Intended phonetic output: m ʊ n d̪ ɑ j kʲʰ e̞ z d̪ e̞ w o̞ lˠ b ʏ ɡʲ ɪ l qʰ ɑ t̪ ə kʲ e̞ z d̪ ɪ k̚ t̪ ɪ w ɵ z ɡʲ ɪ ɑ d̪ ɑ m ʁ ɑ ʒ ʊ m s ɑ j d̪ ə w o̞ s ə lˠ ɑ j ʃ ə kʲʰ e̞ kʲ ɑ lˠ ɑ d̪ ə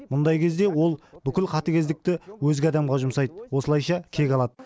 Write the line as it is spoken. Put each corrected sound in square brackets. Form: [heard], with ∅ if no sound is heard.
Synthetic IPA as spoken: m ʊ n d̪ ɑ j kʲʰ e̞ z d̪ e̞ w o̞ lˠ b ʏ [kʲ] ɪ l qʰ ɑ t̪ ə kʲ e̞ z d̪ ɪ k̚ t̪ ɪ w ɵ z ɡʲ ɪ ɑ d̪ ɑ m ʁ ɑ ʒ ʊ m s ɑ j d̪ ə w o̞ s ə lˠ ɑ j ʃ [ɑ] kʲʰ e̞ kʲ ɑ lˠ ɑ d̪ ə